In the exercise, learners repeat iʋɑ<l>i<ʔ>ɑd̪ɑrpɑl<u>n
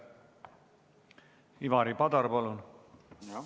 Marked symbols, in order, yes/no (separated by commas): no, no, yes